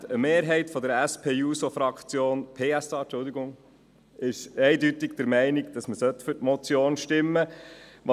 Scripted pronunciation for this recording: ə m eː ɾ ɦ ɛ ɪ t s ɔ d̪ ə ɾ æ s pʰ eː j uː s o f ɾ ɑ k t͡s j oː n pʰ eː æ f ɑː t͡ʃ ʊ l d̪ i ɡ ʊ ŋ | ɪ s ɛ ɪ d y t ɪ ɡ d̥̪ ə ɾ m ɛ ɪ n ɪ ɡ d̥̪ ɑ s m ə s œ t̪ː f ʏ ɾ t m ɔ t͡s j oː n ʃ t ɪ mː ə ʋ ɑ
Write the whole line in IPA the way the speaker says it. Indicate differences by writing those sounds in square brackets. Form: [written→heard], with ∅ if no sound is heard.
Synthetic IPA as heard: ə m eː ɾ ɦ ɛ ɪ t [s→f] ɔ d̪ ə ɾ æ s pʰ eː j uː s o f ɾ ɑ k t͡s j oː n pʰ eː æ [f→s] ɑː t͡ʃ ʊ l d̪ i ɡ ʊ ŋ | ɪ [s→ʃ] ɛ ɪ d y t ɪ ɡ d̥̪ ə ɾ m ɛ ɪ n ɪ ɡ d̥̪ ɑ s m ə s œ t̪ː f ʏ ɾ t m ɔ t͡s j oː n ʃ t ɪ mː ə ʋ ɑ